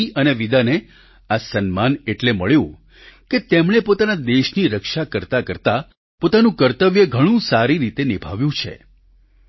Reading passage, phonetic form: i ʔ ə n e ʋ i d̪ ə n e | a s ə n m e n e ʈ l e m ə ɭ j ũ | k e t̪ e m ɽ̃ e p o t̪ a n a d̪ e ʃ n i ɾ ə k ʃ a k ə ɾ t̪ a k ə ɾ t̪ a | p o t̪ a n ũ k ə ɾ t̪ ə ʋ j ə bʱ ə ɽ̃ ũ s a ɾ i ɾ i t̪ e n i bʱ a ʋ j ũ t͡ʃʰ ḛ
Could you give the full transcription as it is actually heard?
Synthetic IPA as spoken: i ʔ ə n e ʋ i d̪ a n e | a s ə n m a n e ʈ l e m ə ɭ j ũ | k e t̪ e m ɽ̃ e p o t̪ a n a d̪ e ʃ n i ɾ ə k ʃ a k ə ɾ t̪ a k ə ɾ t̪ a | p o t̪ a n ũ k ə ɾ t̪ ə ʋ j ə ɡʱ ə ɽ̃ ũ s a ɾ i ɾ i t̪ e n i bʱ a ʋ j ũ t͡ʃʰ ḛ